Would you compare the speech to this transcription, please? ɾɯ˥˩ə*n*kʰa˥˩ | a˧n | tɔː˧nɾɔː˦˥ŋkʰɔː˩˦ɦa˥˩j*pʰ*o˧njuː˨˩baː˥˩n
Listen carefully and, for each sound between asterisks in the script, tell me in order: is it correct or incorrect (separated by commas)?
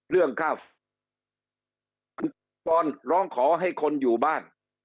incorrect, incorrect